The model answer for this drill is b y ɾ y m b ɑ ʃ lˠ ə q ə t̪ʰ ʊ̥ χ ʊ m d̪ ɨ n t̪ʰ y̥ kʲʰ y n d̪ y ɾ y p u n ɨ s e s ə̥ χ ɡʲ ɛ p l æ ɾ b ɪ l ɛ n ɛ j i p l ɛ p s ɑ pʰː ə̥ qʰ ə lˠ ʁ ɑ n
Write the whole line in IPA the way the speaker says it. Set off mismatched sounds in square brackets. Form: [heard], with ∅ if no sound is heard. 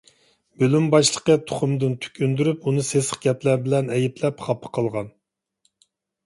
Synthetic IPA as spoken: b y [l] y m b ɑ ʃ lˠ ə q ə t̪ʰ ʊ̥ χ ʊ m d̪ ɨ n t̪ʰ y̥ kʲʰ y n d̪ y ɾ y p u n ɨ s e s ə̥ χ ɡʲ ɛ p l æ ɾ b ɪ l ɛ n ɛ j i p l ɛ p [χ] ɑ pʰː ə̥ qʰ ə lˠ ʁ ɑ n

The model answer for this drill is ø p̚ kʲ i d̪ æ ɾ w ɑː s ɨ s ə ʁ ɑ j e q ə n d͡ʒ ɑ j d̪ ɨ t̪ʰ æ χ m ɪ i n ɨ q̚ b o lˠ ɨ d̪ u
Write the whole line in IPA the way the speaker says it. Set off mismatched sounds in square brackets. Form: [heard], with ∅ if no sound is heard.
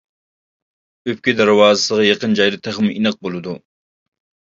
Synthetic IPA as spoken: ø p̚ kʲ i d̪ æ ɾ w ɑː [z] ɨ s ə ʁ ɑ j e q ə n d͡ʒ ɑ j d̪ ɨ t̪ʰ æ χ m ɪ i n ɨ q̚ b o lˠ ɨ d̪ u

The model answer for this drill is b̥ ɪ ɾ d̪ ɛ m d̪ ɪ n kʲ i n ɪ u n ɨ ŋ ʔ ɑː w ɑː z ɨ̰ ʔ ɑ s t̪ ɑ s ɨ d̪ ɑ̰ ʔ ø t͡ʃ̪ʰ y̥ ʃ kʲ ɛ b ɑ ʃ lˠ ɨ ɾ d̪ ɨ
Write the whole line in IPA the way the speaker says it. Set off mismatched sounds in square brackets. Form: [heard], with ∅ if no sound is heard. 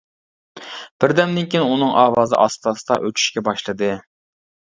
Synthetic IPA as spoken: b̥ ɪ ɾ d̪ ɛ m d̪ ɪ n kʲ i n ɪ u n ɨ ŋ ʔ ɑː w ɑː z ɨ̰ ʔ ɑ s t̪ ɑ s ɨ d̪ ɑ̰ ʔ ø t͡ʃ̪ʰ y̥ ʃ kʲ ɛ b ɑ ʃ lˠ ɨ [∅] d̪ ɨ

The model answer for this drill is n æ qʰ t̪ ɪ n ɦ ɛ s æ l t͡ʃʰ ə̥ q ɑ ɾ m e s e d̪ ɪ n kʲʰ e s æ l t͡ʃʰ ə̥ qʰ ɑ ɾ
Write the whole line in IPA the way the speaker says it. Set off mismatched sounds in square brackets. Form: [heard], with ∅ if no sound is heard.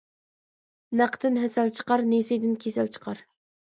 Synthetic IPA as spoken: n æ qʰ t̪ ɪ n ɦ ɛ s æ l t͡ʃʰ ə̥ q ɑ ɾ [n] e s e d̪ ɪ n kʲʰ e s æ l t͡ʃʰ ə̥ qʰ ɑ ɾ

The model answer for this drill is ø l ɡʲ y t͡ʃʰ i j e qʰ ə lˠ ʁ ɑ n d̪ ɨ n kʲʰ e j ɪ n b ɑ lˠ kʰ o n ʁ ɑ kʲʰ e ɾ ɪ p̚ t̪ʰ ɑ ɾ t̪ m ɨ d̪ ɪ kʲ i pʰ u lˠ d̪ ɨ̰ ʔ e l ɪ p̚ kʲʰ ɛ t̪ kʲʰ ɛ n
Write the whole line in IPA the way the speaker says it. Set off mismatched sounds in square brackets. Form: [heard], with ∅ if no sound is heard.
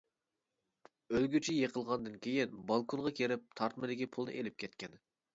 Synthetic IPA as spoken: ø l ɡʲ y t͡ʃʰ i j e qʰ ə lˠ ʁ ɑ n d̪ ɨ n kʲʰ e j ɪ n b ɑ lˠ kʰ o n ʁ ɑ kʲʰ e ɾ ɪ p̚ t̪ʰ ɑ ɾ t̪ m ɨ d̪ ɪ kʲ i pʰ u lˠ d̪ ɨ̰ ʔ e l ɪ p̚ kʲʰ ɛ t̪ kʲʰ ɛ n

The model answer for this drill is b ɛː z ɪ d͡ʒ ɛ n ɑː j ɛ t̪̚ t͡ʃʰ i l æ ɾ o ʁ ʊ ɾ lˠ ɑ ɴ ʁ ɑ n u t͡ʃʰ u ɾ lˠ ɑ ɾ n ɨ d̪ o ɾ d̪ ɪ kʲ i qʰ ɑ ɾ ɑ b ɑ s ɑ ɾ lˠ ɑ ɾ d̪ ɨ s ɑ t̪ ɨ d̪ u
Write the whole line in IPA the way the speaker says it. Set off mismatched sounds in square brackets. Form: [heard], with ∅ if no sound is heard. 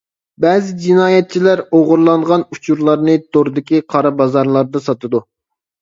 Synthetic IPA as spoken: b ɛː z ɪ d͡ʒ [i] n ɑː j ɛ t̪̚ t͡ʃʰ i l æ ɾ o ʁ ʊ ɾ lˠ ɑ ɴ ʁ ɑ n u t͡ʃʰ u ɾ lˠ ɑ ɾ n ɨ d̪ o ɾ d̪ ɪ kʲ i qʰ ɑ ɾ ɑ b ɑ [z] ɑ ɾ lˠ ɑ ɾ d̪ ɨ s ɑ t̪ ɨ d̪ u

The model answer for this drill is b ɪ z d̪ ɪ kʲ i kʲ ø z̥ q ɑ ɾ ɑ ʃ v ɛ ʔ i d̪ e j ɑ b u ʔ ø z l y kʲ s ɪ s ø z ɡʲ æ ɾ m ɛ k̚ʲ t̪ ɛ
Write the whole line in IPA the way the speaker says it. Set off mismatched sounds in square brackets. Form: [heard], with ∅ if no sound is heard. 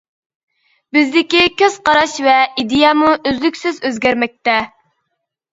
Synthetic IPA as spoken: b ɪ z d̪ ɪ kʲ i kʲ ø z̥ q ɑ ɾ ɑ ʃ v ɛ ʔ i d̪ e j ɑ [m] u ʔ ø z l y kʲ s ɪ [z] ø z ɡʲ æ ɾ m ɛ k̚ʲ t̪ ɛ

